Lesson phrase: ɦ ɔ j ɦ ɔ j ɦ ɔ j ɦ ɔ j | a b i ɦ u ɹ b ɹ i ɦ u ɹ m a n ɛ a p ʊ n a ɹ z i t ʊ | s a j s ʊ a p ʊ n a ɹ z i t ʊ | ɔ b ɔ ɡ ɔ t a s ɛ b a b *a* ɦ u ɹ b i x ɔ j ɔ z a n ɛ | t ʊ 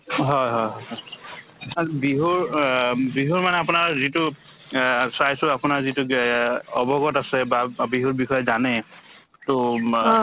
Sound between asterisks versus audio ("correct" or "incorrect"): incorrect